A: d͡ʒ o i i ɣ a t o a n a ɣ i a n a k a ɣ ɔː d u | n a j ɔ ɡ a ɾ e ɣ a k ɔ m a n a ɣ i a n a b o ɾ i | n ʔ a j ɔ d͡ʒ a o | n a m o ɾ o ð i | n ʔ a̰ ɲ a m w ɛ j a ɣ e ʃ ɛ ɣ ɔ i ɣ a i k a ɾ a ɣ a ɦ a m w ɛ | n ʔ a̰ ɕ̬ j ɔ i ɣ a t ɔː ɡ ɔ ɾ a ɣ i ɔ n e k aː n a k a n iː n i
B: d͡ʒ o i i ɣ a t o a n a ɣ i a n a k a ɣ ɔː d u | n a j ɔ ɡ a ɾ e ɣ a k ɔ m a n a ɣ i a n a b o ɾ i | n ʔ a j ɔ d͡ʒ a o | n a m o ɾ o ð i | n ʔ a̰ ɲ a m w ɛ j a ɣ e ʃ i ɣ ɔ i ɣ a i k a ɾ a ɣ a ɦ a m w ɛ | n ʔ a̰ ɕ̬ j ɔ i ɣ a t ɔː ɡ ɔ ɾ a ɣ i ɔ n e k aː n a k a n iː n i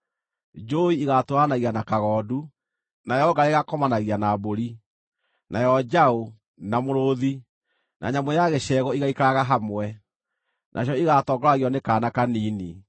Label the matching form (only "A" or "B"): A